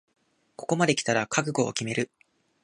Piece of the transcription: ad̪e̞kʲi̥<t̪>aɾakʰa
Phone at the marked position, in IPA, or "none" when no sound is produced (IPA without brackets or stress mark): t̪